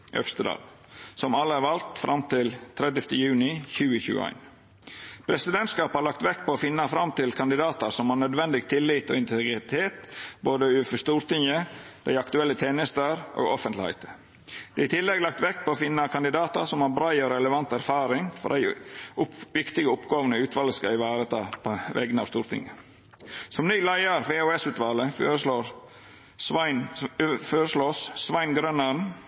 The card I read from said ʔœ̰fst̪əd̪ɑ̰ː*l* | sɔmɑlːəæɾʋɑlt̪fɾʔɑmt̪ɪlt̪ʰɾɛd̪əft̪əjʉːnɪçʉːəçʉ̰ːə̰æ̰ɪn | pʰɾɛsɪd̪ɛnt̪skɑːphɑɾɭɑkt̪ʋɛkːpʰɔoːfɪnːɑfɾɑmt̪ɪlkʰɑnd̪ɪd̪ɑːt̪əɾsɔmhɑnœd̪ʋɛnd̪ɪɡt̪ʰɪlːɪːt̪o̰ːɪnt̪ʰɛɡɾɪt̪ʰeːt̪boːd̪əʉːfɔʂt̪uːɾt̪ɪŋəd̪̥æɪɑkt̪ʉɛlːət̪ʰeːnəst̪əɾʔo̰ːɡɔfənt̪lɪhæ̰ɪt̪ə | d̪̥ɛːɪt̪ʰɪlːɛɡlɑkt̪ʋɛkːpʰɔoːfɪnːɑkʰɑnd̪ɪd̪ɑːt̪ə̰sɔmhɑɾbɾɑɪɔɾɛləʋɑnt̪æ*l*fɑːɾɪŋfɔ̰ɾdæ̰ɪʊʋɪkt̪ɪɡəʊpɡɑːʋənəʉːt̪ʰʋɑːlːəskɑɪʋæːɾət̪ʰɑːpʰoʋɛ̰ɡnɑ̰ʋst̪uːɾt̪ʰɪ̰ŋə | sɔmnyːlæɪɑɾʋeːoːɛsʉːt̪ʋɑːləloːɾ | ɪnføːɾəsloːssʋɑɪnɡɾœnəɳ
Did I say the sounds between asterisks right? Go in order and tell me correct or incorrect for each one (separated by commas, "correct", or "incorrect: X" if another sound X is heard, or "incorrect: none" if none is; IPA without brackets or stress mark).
correct, incorrect: ɾ